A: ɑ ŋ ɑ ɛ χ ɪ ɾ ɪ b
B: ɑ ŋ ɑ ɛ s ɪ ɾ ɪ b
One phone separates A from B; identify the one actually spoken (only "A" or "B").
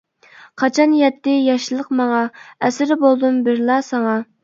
B